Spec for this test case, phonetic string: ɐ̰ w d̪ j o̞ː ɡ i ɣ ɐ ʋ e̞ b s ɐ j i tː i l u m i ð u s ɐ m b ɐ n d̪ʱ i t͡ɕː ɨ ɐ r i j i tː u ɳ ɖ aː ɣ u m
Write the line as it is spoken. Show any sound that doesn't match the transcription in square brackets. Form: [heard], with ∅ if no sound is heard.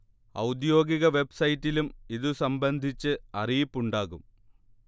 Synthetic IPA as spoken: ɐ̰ w d̪ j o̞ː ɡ i ɣ ɐ ʋ e̞ b s ɐ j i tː i l u m i ð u s ɐ m b ɐ n d̪ʱ i t͡ɕː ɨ ɐ r i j i [pː] u ɳ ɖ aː ɣ u m